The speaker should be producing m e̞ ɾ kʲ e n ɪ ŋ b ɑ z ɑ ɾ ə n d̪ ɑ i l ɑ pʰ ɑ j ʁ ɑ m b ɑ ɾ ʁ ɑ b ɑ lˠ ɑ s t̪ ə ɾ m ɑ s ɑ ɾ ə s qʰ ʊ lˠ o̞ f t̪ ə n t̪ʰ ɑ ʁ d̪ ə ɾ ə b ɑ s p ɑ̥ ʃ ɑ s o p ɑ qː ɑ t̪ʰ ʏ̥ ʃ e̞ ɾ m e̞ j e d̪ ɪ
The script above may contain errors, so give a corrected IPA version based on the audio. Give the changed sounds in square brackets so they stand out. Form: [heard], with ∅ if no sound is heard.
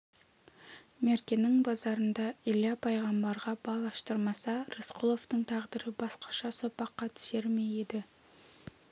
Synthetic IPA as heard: m e̞ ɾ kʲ e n ɪ ŋ b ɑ z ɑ ɾ ə n d̪ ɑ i l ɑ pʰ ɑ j ʁ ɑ m b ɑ ɾ ʁ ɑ b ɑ lˠ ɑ [ʃ] t̪ ə ɾ m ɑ s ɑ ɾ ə s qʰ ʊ lˠ o̞ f t̪ ə [ɴ] t̪ʰ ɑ ʁ d̪ ə ɾ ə b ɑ s [q] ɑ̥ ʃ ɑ s o p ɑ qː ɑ t̪ʰ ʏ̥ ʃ e̞ ɾ m e̞ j e d̪ ɪ